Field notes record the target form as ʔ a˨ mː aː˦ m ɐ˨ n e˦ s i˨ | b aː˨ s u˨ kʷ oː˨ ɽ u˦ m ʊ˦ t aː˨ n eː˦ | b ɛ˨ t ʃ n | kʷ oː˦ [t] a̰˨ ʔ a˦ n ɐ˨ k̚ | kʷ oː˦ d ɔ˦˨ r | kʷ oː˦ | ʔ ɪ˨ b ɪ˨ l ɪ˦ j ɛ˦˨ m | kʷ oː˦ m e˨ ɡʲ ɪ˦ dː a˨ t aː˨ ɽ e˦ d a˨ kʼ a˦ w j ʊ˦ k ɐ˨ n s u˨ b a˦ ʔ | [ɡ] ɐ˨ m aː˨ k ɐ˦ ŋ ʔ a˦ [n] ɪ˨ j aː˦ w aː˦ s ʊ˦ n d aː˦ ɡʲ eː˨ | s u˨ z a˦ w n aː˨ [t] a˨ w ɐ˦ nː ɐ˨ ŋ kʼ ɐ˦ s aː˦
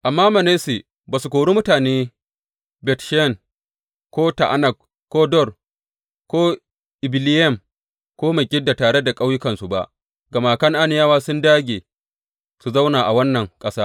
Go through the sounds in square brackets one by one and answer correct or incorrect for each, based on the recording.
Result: correct, correct, correct, incorrect: ʔ

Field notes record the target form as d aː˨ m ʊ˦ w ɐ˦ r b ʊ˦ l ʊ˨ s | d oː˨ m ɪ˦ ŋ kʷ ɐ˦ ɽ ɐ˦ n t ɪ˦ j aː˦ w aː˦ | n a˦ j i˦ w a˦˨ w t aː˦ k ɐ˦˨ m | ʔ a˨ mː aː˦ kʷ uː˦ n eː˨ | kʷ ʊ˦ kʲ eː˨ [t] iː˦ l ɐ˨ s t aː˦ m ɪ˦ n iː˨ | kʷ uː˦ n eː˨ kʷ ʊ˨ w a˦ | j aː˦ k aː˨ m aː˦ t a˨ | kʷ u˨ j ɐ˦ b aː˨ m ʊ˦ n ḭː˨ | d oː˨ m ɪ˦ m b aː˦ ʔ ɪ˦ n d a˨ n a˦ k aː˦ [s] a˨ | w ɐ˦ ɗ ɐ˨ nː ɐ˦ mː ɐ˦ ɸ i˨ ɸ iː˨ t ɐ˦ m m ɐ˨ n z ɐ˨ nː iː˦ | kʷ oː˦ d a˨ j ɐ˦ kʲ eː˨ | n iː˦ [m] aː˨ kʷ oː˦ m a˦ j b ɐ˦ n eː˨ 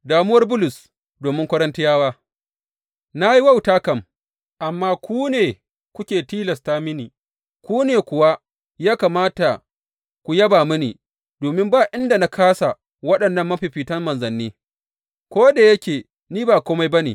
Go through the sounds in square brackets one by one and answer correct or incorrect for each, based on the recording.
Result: correct, correct, incorrect: b

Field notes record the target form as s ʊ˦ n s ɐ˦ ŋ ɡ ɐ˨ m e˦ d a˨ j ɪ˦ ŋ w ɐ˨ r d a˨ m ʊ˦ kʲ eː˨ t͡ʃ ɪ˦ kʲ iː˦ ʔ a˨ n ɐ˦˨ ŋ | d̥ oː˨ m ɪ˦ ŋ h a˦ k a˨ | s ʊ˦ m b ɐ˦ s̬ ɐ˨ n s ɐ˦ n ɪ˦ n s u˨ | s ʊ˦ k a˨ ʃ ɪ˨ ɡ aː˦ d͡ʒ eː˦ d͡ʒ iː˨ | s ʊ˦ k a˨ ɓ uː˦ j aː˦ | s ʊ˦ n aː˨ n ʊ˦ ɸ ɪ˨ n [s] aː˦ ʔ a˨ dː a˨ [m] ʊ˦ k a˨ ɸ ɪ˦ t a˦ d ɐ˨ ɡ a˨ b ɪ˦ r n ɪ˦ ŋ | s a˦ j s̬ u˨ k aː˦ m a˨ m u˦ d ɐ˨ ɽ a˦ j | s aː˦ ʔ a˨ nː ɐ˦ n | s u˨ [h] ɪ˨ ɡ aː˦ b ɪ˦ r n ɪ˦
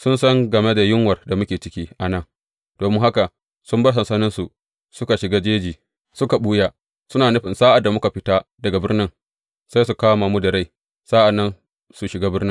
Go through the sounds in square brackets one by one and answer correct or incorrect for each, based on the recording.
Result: correct, correct, incorrect: ʃ

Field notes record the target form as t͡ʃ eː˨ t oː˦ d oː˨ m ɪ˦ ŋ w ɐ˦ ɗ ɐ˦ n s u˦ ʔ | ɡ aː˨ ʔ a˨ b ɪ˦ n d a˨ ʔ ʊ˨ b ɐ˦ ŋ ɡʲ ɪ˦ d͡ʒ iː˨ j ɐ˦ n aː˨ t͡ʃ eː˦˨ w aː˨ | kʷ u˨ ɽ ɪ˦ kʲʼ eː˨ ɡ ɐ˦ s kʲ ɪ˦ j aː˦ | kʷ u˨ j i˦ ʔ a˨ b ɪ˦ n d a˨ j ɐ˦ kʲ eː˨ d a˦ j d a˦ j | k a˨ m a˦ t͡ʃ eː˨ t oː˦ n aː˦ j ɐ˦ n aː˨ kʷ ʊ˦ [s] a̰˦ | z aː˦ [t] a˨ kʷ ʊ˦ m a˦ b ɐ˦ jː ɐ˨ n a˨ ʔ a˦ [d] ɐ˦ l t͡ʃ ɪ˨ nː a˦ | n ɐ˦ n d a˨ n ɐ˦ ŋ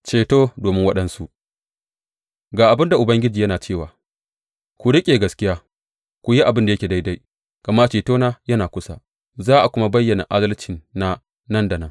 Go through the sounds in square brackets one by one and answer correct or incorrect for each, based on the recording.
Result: correct, incorrect: ʔ, correct

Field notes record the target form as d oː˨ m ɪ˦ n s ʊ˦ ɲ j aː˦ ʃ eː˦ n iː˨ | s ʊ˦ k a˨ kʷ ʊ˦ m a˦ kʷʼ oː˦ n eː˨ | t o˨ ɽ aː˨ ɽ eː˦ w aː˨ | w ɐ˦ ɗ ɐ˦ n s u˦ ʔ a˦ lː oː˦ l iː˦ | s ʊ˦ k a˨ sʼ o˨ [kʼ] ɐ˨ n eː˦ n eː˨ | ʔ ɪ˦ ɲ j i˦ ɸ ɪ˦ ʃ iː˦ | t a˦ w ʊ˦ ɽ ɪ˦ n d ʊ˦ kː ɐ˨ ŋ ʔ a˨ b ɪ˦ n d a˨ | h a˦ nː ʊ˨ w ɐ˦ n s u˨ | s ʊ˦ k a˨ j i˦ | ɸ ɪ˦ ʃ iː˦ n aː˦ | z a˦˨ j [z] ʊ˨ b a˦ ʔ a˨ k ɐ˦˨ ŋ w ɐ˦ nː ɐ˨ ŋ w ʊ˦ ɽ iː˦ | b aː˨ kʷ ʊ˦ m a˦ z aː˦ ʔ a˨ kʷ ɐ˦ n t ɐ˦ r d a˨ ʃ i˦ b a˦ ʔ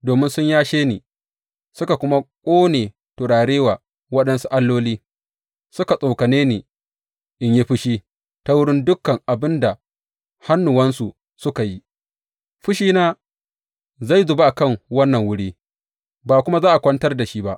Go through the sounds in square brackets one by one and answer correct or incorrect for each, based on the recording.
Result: incorrect: k, correct

